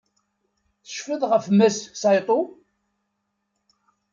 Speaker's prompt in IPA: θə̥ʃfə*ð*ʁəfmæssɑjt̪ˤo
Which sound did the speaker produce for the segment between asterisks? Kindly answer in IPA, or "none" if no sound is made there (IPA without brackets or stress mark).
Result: ð